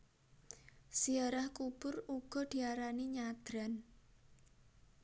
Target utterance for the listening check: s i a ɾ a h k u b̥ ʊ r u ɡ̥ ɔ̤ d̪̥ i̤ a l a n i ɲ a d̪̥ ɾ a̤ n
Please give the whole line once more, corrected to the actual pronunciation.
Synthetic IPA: s i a ɾ a h k u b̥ ʊ r u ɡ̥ ɔ̤ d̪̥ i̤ a ɾ a n i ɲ a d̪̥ ɾ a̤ n